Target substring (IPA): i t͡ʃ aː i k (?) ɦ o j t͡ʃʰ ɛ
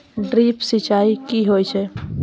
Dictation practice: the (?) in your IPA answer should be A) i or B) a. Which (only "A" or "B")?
A